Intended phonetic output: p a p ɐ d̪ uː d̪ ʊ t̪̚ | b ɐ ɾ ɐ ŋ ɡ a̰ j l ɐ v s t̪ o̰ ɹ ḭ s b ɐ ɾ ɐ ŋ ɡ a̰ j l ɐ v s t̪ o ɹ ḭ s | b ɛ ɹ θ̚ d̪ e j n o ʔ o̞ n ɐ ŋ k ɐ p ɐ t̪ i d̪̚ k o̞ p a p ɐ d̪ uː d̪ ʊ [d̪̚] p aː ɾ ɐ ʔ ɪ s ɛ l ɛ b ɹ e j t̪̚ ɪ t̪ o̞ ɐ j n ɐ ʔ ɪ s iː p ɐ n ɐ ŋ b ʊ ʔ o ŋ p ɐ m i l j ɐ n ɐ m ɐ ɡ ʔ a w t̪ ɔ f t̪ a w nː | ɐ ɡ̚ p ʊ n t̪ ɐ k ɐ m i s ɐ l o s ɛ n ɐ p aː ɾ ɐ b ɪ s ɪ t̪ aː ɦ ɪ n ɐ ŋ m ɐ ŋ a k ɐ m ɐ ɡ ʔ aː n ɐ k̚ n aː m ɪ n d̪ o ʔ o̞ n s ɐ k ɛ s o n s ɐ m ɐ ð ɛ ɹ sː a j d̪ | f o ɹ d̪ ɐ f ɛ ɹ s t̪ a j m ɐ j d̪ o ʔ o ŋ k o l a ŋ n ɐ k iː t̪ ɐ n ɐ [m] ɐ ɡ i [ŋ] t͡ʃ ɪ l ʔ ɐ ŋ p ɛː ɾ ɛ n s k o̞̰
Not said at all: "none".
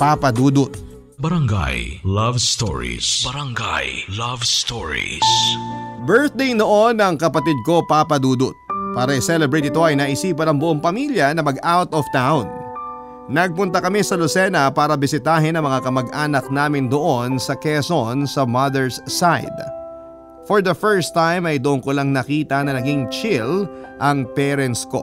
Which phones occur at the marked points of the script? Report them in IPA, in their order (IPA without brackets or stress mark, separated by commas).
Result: t̪̚, n, ŋ